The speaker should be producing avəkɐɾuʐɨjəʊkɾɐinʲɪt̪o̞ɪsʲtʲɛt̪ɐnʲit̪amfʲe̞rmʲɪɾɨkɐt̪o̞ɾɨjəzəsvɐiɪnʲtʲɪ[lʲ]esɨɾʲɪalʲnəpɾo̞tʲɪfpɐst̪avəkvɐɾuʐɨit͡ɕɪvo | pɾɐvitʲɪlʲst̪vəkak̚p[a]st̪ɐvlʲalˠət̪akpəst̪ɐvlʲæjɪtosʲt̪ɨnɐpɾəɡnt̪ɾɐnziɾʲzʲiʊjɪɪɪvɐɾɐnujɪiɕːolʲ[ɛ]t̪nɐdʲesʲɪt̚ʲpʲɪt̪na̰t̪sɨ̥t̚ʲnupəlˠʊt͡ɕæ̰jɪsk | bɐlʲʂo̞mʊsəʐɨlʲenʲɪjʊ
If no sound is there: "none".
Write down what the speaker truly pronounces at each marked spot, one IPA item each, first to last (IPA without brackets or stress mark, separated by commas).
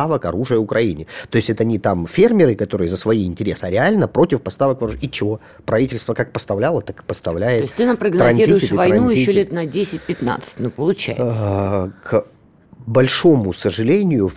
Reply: ɾʲ, ə, e